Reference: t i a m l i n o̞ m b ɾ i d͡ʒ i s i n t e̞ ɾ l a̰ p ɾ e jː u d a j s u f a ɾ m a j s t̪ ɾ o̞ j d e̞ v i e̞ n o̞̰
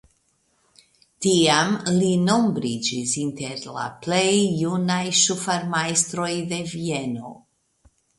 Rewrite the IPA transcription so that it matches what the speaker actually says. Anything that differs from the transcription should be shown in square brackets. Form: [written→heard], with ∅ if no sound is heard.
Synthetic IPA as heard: t i a m l i n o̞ m b ɾ i d͡ʒ i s i n t e̞ ɾ l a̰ p [ɾ→l] e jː u [d→n] a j [s→ʃ] u f a ɾ m a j s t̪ ɾ o̞ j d e̞ v i e̞ n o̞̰